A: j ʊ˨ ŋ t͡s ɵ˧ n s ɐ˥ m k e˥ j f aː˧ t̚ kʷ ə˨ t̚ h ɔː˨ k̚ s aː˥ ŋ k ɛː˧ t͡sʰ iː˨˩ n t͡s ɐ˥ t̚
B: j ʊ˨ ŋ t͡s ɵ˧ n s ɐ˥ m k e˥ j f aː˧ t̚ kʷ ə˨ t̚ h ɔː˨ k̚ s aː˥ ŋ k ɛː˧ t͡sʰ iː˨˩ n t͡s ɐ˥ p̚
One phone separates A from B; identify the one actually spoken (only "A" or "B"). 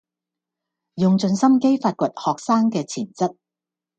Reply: A